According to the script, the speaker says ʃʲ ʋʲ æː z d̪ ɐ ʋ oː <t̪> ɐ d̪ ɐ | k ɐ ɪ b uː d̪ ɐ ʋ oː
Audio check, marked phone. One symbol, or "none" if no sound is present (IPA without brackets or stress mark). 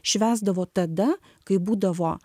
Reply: t̪